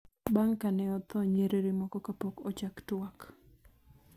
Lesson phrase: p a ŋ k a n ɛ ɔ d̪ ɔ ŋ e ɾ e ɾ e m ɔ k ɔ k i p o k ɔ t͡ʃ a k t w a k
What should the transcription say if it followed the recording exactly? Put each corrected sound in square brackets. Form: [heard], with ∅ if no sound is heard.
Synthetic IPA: [b] a ŋ k a n ɛ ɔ [t̪] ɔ [ɲ] e ɾ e ɾ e m ɔ k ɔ k [a] p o k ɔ t͡ʃ a k t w a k